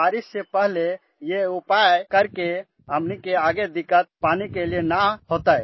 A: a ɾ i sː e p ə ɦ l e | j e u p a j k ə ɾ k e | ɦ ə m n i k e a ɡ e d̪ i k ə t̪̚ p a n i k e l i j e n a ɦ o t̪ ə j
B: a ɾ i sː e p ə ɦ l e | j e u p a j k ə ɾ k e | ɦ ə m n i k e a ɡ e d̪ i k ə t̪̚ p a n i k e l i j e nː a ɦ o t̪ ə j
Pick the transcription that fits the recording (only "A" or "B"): A